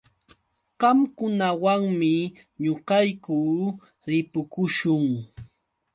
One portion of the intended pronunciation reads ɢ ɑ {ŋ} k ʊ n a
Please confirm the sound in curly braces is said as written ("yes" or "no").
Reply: no